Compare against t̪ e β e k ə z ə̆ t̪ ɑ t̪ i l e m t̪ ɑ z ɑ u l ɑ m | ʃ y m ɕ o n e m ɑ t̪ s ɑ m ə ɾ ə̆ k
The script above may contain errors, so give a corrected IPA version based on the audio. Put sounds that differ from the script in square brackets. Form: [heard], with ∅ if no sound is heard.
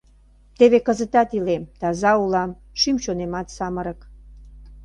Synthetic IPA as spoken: t̪ e β e k ə z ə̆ t̪ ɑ t̪ i l e m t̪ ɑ z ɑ u l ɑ m | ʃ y m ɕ o n e m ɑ t̪ s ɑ m ə ɾ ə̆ k